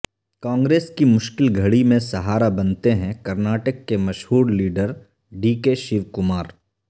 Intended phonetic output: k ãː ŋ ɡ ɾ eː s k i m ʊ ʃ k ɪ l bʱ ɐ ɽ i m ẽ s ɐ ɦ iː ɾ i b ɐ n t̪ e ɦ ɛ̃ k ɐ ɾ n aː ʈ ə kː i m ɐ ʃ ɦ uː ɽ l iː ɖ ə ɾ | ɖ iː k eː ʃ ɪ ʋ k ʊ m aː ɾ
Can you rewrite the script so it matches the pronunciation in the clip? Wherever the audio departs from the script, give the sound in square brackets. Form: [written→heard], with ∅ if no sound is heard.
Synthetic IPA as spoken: k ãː ŋ ɡ ɾ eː s k i m ʊ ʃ k ɪ l [bʱ→ɡʱ] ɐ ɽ i m ẽ s ɐ ɦ [iː→aː] ɾ [i→a] b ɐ n t̪ e ɦ ɛ̃ k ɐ ɾ n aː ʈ ə kː [i→e] m ɐ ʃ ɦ uː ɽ l iː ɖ ə ɾ | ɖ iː k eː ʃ ɪ ʋ k ʊ m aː ɾ